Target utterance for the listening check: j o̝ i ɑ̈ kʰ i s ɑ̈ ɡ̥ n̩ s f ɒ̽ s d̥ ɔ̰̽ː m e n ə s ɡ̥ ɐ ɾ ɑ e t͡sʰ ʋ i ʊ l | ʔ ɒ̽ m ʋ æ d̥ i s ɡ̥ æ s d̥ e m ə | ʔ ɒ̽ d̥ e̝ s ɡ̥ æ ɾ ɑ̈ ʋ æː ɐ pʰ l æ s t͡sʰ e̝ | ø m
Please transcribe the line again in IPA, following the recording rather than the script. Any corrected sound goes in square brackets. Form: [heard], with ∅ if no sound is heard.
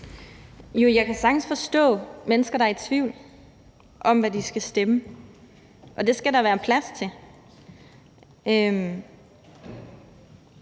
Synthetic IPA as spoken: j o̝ [j] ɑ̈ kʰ [æ] s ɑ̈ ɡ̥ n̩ s f ɒ̽ s d̥ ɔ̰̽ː m e n ə s ɡ̥ ɐ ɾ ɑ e t͡sʰ ʋ i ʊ l | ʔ ɒ̽ m ʋ æ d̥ i s ɡ̥ æ s d̥ e m ə | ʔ ɒ̽ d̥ e̝ s ɡ̥ æ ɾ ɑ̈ ʋ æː ɐ pʰ l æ s t͡sʰ e̝ | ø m